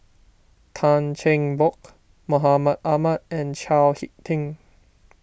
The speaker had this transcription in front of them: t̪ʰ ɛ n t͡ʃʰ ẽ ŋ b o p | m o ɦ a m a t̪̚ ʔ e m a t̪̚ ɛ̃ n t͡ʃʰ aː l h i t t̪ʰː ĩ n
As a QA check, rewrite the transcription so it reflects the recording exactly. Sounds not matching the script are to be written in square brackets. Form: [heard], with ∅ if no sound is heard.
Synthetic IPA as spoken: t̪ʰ [a] n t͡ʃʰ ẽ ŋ b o [k] | m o ɦ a m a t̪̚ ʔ [a] m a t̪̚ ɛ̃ n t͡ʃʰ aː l h i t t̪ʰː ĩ [ŋ]